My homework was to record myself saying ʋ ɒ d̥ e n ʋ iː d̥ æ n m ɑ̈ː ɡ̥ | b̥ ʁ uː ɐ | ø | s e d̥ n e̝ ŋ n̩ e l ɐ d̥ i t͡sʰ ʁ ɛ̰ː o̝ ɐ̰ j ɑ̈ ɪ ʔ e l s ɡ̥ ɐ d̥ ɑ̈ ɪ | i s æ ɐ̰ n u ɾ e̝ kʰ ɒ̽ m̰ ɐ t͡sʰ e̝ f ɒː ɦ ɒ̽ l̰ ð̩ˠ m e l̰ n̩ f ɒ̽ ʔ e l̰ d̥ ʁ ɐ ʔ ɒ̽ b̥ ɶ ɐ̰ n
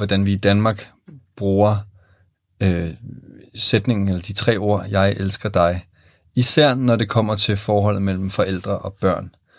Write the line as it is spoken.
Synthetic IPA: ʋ ɒ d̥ æ n ʋ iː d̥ æ n m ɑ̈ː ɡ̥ | b̥ ʁ uː ɐ | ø | s e d̥ n e̝ ŋ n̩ e l ɐ d̥ i t͡sʰ ʁ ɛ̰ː o̝ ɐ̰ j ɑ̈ ɪ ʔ e l s ɡ̥ ɐ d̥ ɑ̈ ɪ | i s æ ɐ̰ n ɒ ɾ e̝ kʰ ɒ̽ m̰ ɐ t͡sʰ e̝ f ɒː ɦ ɒ̽ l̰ ð̩ˠ m e l̰ m̩ f ɒ̽ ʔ e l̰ d̥ ʁ ɐ ʔ ɒ̽ b̥ ɶ ɐ̰ n